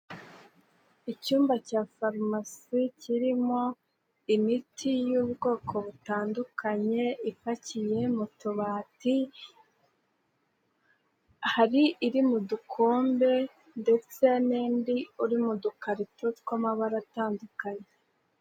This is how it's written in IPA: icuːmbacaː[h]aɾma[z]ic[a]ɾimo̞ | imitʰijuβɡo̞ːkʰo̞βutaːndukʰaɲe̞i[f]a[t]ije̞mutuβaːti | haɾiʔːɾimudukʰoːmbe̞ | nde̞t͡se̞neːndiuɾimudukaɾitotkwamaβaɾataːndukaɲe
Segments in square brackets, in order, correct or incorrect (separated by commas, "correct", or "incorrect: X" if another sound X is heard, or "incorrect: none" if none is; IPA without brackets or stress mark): incorrect: f, incorrect: s, incorrect: i, correct, incorrect: c